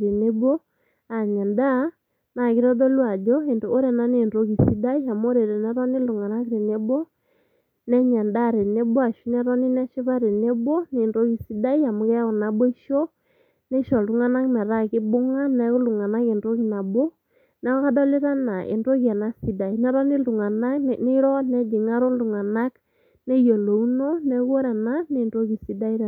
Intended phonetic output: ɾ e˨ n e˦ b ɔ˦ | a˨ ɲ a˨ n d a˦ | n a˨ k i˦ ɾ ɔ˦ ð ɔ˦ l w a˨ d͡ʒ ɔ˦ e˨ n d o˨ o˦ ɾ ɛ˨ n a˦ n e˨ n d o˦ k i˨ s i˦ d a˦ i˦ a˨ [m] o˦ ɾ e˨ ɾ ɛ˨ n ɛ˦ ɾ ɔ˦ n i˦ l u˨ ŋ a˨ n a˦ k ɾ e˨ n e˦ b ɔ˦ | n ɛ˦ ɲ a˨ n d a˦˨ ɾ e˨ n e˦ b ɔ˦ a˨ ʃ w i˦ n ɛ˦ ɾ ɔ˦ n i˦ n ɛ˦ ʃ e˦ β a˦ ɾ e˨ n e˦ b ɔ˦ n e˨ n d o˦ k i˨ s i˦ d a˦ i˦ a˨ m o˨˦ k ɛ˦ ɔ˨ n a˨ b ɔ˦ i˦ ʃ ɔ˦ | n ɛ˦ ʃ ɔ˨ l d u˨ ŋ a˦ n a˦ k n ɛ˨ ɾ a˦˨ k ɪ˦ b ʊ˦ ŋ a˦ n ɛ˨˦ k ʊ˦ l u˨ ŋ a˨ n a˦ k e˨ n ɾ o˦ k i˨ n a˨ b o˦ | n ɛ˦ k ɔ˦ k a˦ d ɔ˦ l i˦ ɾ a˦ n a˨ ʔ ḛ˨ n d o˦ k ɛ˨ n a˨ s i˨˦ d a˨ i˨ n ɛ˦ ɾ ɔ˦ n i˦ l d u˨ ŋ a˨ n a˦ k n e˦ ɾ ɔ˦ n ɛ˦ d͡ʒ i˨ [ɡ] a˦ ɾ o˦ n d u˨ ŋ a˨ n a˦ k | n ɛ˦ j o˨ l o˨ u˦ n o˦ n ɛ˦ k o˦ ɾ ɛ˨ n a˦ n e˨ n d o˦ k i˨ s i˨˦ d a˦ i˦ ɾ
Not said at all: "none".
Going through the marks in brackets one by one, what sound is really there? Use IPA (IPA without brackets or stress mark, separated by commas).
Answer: m, ŋ